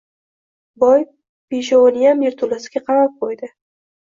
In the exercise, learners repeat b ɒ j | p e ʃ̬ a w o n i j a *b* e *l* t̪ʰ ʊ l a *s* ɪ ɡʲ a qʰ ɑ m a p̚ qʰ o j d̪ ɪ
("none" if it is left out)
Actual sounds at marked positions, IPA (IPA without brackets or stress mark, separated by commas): m, ɾ, s